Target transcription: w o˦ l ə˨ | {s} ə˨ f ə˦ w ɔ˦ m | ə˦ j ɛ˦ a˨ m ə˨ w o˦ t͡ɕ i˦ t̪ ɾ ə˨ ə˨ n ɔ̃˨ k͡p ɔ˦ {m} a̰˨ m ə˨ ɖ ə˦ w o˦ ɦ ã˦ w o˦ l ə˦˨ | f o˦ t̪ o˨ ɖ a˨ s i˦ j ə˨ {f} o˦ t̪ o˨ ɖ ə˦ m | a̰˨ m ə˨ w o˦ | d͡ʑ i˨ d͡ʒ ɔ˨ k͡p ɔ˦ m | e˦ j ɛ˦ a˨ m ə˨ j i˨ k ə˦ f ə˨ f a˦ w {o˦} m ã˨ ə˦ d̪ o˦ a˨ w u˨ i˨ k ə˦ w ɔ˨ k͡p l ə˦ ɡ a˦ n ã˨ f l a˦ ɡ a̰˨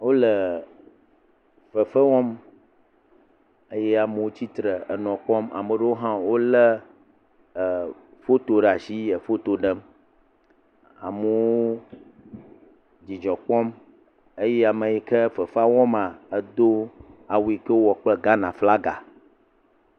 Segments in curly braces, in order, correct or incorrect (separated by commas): incorrect, correct, correct, incorrect